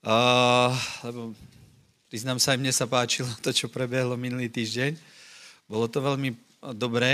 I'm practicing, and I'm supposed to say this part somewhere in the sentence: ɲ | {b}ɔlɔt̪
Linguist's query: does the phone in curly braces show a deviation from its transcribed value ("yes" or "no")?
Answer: no